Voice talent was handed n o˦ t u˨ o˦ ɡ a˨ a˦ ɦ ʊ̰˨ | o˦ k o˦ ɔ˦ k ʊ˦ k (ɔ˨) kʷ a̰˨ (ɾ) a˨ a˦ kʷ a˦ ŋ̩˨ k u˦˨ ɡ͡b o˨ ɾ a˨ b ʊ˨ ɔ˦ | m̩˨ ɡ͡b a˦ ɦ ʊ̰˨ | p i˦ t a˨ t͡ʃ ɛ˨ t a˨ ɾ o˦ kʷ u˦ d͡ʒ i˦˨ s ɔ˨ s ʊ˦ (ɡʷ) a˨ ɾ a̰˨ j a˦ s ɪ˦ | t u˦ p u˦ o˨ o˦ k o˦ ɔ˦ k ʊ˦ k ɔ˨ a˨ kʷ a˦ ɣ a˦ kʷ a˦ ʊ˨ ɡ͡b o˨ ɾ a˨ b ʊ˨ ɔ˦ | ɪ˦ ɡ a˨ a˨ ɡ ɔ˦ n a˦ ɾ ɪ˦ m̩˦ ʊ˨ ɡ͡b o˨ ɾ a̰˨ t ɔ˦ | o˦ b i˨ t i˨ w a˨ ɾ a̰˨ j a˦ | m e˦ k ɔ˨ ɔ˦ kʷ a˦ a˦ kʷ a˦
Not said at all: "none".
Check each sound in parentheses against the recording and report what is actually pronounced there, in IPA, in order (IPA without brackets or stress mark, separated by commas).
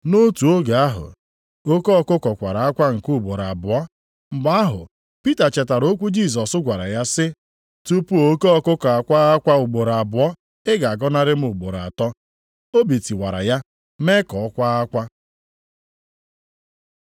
ɔ˨, ɾ, ɡʷ